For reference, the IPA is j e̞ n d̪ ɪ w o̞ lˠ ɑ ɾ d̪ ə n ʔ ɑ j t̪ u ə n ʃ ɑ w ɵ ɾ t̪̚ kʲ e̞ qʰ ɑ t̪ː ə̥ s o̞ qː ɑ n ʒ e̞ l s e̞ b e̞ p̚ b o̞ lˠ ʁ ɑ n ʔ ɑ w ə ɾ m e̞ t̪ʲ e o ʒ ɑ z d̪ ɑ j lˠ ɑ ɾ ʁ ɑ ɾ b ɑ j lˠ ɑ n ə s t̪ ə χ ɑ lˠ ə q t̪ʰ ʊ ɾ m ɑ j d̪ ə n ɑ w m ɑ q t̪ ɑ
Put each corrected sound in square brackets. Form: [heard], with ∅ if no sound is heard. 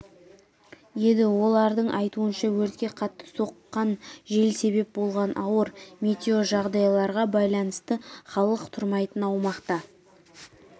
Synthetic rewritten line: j e̞ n d̪ ɪ w o̞ lˠ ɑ ɾ d̪ ə [ɴ] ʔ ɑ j t̪ u ə n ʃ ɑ w ɵ ɾ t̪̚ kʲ e̞ qʰ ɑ t̪ː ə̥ s o̞ qː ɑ n ʒ e̞ l s e̞ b e̞ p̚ b o̞ lˠ ʁ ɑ n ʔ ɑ w ə ɾ m e̞ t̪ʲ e o ʒ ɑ [ʁ] d̪ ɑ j lˠ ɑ ɾ ʁ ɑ [∅] b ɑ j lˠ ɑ n ə s t̪ ə χ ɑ lˠ ə q t̪ʰ ʊ ɾ m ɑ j [t̪] ə n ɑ w m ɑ q t̪ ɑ